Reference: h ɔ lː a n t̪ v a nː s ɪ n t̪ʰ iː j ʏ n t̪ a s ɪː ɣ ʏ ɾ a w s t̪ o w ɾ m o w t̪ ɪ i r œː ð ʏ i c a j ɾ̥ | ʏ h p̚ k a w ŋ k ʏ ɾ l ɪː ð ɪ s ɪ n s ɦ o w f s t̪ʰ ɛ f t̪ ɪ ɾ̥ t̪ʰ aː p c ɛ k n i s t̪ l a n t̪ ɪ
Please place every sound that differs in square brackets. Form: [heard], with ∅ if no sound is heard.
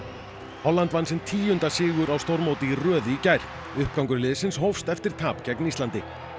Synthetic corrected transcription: h ɔ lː a n t̪ v a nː s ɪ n t̪ʰ iː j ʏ n t̪ a s ɪː ɣ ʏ ɾ a w s t̪ o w ɾ m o w t̪ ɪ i r œː ð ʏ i c a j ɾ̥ | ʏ h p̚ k a w ŋ k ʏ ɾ l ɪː ð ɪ s ɪ n s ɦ o w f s [t̪] ɛ f t̪ ɪ ɾ̥ t̪ʰ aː p c ɛ k n i s t̪ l a n t̪ ɪ

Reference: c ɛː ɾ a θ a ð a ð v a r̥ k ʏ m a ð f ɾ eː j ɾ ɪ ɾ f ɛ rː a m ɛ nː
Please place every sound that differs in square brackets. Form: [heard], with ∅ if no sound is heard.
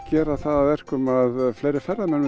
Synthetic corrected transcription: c ɛː ɾ a θ a ð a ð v [ɛ] r̥ k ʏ m a ð f [l] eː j ɾ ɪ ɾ f ɛ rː a m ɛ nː

